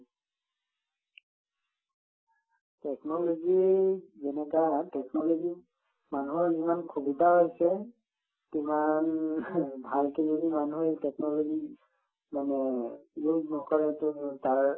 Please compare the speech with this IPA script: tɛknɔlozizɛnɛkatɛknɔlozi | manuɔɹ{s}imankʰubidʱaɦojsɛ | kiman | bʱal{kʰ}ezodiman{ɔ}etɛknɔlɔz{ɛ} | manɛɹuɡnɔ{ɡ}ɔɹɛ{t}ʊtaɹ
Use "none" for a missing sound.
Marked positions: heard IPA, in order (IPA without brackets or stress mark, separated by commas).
z, k, u, i, k, t